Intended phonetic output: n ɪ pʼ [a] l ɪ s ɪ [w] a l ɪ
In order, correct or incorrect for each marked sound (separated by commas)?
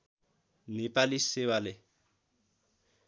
correct, correct